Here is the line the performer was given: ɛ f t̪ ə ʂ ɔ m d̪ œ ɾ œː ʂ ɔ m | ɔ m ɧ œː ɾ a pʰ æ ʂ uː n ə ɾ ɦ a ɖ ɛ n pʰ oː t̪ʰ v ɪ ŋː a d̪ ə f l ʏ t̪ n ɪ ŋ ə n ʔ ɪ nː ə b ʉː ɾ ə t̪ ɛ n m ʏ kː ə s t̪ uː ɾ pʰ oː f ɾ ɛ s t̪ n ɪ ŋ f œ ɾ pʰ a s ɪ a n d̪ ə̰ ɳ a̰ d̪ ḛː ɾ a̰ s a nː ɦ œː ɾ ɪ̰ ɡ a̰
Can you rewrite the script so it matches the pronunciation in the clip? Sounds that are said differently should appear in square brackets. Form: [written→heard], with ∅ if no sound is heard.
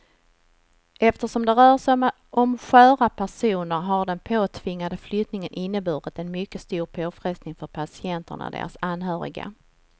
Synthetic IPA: ɛ f t̪ ə ʂ ɔ m d̪ [œ→ɛ] ɾ œː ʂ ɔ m | ɔ m ɧ œː ɾ a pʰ æ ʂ uː n ə ɾ ɦ a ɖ ɛ n pʰ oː t̪ʰ v ɪ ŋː a d̪ ə f l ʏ t̪ n ɪ ŋ ə n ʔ ɪ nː ə b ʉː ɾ ə t̪ ɛ n m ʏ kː ə s t̪ uː ɾ pʰ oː f ɾ ɛ s t̪ n ɪ ŋ f œ ɾ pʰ a s ɪ [a→ɛ] n [d̪→t̪] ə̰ ɳ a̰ d̪ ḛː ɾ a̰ s a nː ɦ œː ɾ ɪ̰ ɡ a̰